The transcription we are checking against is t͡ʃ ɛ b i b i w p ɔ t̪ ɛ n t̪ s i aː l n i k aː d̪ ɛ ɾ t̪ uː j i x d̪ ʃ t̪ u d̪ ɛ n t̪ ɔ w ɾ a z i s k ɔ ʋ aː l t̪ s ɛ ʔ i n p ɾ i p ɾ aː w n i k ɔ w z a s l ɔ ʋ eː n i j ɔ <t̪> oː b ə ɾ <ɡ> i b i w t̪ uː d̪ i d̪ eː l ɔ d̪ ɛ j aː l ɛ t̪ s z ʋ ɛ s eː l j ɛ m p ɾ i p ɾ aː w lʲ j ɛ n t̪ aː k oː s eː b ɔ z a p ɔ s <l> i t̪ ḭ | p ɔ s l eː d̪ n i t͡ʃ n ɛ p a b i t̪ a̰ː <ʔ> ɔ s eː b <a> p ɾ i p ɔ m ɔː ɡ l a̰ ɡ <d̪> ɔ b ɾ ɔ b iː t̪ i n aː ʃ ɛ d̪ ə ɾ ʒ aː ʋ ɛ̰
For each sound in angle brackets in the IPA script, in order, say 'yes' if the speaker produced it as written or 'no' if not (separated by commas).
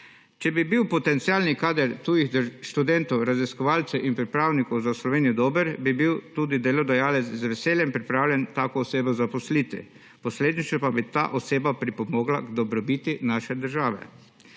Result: no, no, yes, yes, yes, yes